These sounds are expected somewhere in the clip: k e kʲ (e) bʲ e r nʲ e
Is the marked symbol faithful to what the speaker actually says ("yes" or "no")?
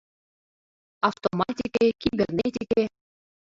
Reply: no